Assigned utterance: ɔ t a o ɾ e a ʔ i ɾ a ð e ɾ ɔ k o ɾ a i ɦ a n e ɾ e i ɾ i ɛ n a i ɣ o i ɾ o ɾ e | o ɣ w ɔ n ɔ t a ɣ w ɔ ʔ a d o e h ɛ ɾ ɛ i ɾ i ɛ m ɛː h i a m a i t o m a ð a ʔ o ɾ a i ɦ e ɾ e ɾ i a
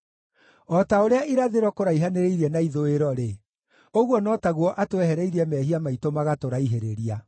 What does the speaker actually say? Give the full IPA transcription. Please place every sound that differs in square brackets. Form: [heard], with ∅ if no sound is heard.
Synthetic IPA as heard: ɔ t a o ɾ e a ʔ i ɾ a ð e ɾ ɔ k o ɾ a i ɦ a n e ɾ e i ɾ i ɛ n a i [ð] o [e] ɾ [ɔ] ɾ e | o ɣ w ɔ n ɔ t a ɣ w ɔ ʔ a [t] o [ɛ] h ɛ ɾ ɛ i ɾ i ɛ m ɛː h i a m a i t o m a [ɣ] a [t] o ɾ a i ɦ e ɾ e ɾ i a